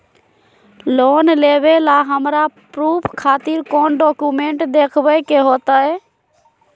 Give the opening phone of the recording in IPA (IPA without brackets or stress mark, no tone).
l